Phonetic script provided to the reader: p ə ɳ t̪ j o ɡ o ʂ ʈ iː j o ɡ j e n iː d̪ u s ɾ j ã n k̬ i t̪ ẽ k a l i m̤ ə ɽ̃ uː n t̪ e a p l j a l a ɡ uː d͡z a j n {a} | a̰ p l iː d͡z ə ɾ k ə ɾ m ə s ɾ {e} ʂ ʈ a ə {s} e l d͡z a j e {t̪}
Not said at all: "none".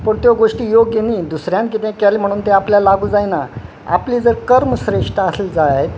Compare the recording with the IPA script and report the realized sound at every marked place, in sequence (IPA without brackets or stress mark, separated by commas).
a, e, s, t̪